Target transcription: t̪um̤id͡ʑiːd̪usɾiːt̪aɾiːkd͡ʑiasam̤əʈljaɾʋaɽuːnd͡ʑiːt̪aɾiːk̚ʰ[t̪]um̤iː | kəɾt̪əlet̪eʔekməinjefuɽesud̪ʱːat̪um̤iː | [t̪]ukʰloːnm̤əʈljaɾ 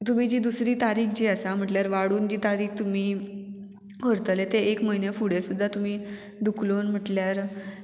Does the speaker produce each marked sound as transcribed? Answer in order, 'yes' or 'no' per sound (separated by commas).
yes, no